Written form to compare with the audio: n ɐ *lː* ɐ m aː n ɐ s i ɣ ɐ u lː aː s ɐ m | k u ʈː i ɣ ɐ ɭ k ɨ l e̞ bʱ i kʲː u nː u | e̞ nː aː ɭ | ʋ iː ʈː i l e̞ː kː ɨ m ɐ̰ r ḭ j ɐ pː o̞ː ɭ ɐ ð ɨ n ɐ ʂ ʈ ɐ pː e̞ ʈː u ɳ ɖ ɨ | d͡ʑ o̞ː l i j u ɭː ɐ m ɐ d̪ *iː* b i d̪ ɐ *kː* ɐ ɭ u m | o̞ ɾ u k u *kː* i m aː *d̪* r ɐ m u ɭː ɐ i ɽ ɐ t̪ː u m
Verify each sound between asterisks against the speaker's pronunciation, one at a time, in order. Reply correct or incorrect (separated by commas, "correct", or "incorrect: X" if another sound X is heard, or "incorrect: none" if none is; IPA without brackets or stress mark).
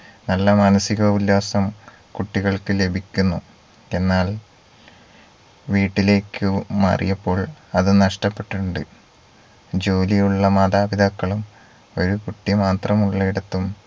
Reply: correct, incorrect: aː, correct, incorrect: ʈː, incorrect: t̪